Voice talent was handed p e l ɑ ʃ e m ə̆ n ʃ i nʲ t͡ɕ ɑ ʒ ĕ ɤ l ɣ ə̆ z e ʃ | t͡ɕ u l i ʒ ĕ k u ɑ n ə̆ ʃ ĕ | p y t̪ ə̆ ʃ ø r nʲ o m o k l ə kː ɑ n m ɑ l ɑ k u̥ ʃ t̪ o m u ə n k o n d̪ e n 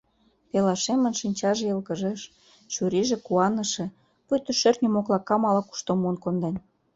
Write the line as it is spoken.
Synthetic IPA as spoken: p e l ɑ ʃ e m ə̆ n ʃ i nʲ t͡ɕ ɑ ʒ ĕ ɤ l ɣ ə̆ ʒ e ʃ | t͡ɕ u ɾ i ʒ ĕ k u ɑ n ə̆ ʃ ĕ | p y t̪ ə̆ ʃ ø r nʲ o m o k l ɑ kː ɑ m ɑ l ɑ k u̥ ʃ t̪ o m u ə n k o n d̪ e n